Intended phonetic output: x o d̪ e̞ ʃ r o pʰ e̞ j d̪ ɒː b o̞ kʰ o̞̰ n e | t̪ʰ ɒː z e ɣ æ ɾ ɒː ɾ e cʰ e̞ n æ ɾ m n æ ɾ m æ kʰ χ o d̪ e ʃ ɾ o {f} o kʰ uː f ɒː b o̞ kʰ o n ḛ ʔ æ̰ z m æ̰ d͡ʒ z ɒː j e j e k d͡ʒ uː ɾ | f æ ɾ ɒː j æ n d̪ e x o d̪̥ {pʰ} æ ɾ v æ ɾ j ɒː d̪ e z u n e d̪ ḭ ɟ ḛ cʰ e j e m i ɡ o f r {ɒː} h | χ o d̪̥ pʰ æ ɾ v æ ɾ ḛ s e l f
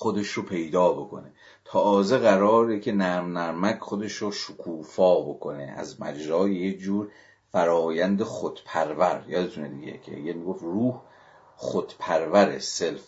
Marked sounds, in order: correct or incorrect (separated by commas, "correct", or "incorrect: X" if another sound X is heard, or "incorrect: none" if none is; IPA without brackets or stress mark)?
incorrect: ʃ, correct, incorrect: uː